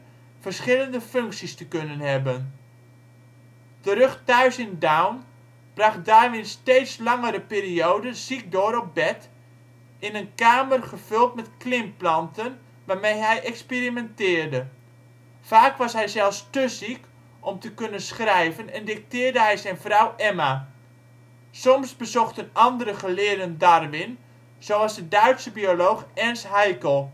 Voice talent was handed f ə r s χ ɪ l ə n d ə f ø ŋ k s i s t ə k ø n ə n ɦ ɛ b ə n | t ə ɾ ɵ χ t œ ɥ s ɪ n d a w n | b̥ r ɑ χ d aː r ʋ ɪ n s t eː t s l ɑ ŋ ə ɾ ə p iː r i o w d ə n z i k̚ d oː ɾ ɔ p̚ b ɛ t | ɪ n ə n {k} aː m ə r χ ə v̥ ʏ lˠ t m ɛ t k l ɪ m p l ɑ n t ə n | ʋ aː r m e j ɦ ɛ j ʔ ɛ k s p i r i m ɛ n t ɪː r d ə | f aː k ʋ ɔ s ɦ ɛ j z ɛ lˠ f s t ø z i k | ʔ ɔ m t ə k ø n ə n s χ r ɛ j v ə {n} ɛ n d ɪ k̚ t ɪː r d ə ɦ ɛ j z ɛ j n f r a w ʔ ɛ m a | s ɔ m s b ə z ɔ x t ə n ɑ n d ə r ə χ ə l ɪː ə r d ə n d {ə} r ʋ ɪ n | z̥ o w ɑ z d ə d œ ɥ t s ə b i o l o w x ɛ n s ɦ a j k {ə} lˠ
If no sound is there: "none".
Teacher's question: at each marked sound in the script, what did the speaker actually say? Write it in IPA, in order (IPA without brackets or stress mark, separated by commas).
k, n, a, ə